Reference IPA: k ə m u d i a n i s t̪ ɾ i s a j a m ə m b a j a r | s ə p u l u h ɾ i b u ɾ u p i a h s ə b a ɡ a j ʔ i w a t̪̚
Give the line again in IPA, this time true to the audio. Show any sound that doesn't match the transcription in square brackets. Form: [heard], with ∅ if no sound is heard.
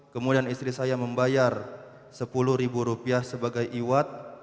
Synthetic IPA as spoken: k ə m u d i a n i s t̪ ɾ i s a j a m ə m b a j a r | s ə p u l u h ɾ i b u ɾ u p i a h s ə b a ɡ a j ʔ i w a t̪̚